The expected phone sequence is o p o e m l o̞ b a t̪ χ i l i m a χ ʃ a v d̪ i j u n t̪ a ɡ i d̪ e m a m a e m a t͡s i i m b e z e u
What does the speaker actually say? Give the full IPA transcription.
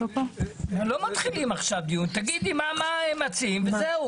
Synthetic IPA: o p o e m l o̞ m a t̪ χ i l i m a χ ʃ a v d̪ i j u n t̪ a ɡ i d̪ i m a m a e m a t͡s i i m v e z e u